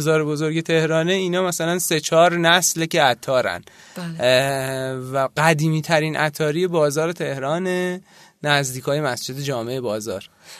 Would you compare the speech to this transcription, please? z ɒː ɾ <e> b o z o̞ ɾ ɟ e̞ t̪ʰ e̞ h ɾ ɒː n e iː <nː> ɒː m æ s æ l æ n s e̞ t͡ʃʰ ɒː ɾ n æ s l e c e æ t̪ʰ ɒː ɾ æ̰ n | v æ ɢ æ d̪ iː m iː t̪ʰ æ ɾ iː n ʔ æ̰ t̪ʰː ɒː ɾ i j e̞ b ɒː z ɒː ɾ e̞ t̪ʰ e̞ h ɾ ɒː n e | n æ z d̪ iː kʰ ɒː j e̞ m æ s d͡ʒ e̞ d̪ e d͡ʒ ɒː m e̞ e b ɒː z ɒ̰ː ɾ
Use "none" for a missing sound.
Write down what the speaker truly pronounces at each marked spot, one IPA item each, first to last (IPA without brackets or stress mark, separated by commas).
e, n